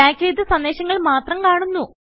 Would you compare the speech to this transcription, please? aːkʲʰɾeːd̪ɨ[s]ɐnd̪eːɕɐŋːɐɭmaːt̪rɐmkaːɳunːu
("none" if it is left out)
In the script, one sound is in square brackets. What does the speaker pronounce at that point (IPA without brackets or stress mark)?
s